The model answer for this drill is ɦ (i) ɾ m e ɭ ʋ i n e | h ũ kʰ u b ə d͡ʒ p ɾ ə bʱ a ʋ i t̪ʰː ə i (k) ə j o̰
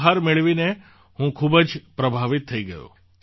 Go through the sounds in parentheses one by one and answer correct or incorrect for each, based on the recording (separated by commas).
incorrect, incorrect